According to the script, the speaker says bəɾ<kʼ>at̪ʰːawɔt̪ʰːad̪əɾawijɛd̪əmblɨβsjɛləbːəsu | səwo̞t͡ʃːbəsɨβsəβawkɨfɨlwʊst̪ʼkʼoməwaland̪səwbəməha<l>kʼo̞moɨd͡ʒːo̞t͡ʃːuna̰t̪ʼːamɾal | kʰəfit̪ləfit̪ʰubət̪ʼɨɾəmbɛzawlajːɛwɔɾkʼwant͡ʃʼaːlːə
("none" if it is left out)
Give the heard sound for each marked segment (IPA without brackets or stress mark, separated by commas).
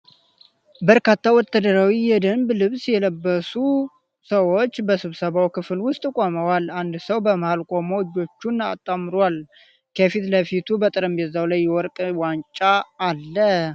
k, l